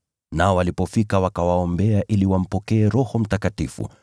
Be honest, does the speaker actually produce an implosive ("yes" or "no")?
no